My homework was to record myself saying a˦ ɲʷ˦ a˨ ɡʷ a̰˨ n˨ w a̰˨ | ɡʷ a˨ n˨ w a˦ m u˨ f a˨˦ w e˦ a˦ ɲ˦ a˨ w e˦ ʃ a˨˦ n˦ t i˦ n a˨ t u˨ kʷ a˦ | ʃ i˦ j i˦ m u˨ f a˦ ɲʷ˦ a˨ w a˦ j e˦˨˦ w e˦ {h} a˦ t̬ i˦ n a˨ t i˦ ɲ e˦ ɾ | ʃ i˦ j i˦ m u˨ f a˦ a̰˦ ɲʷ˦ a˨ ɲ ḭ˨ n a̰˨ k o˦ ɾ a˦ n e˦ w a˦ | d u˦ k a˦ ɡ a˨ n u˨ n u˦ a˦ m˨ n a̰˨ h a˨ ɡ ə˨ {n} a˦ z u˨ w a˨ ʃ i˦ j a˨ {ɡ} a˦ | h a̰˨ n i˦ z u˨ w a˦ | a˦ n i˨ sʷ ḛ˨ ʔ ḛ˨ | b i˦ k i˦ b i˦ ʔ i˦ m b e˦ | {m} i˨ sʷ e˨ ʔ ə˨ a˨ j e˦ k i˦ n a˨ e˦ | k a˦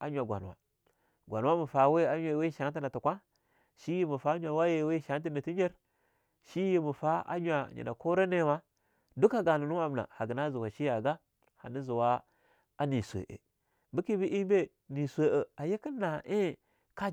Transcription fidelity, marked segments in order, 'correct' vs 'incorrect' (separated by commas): incorrect, correct, correct, incorrect